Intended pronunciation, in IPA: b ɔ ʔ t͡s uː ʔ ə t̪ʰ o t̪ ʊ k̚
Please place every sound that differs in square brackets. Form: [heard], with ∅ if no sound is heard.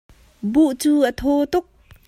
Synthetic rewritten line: b [u] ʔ t͡s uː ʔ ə t̪ʰ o t̪ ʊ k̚